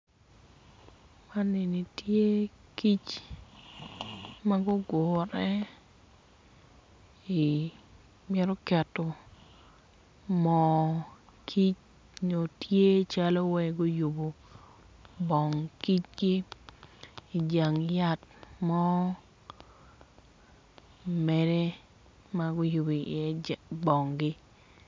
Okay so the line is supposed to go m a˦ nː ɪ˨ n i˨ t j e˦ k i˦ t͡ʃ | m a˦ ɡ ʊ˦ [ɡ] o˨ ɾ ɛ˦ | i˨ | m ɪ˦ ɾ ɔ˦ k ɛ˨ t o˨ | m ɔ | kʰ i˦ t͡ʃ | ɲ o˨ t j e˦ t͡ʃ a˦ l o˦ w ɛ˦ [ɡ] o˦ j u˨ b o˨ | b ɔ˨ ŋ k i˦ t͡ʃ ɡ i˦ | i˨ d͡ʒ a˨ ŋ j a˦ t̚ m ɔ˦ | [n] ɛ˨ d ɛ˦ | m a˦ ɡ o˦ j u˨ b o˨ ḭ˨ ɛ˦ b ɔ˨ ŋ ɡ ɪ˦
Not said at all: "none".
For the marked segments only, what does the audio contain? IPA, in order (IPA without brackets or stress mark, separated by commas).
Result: ɡ, ɡ, m